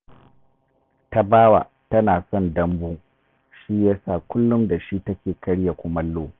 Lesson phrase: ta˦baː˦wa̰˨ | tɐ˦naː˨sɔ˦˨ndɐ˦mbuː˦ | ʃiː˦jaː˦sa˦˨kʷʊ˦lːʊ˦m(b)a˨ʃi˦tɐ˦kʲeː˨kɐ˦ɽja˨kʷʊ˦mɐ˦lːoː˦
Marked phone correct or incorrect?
incorrect